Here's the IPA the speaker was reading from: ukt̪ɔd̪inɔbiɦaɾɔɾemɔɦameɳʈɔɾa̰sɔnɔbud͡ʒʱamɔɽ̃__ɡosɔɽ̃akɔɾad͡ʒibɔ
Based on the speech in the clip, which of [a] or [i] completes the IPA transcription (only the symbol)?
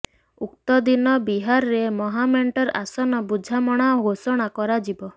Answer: a